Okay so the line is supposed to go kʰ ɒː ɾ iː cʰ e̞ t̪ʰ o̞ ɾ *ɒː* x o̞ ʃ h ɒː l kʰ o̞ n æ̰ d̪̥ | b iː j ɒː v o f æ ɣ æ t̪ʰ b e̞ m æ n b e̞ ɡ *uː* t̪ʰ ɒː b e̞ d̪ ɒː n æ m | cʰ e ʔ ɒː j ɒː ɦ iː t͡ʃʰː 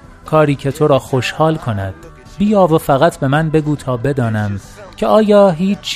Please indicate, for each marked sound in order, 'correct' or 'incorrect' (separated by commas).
correct, correct